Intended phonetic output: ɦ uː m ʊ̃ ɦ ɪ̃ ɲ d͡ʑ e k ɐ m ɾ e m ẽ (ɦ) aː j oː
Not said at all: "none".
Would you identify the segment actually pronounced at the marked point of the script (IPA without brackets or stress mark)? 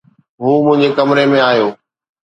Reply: none